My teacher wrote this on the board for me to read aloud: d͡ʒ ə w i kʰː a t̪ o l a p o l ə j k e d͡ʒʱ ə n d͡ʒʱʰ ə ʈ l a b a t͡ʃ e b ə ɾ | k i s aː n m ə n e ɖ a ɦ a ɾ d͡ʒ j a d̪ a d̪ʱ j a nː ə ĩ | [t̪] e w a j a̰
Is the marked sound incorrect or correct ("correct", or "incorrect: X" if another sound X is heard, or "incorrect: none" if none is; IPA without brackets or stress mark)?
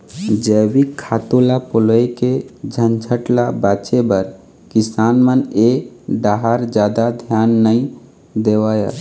incorrect: d̪